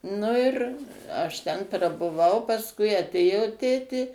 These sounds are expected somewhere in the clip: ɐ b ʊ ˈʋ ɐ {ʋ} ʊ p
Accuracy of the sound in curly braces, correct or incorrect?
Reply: incorrect